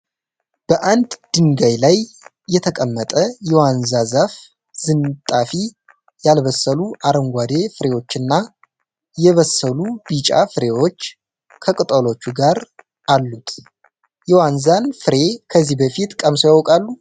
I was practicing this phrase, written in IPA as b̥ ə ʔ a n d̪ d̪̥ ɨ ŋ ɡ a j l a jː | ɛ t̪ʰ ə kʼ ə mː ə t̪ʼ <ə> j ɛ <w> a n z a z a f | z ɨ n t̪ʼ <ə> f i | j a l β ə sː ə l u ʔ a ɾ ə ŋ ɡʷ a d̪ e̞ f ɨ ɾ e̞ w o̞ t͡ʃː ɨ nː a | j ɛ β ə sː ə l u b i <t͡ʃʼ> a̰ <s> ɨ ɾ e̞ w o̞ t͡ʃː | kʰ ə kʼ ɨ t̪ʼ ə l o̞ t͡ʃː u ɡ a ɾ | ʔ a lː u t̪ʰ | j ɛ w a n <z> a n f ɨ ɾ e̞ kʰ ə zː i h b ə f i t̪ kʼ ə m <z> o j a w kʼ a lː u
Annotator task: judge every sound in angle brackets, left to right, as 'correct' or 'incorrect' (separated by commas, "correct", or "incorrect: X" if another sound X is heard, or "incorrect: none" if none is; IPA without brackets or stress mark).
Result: correct, correct, incorrect: a, correct, incorrect: f, correct, incorrect: s